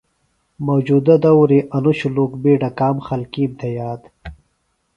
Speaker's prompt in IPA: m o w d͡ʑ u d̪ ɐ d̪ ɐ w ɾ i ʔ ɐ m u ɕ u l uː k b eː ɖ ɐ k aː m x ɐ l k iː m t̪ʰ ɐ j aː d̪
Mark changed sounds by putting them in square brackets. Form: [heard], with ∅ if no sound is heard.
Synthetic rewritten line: m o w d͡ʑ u d̪ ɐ d̪ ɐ w ɾ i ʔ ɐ [n] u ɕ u l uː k b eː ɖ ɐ k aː m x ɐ l k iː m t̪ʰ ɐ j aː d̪